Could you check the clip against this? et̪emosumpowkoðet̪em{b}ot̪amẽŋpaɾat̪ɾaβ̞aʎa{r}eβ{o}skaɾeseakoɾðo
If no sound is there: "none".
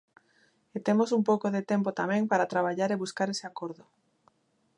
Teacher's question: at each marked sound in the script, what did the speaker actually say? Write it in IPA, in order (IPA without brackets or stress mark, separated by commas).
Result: p, ɾ, u